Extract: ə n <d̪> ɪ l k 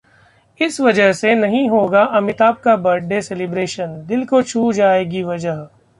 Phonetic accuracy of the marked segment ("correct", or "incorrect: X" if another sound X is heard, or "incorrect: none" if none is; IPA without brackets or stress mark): correct